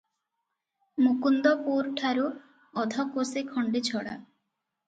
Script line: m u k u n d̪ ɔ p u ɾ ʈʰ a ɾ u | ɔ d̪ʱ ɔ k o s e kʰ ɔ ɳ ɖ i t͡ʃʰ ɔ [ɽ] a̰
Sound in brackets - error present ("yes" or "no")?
no